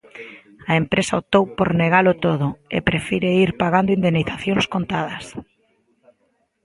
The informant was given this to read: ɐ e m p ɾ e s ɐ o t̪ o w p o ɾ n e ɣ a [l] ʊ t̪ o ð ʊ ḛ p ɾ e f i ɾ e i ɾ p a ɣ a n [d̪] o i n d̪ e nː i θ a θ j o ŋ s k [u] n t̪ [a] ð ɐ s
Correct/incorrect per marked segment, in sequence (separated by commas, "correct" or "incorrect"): correct, correct, incorrect, correct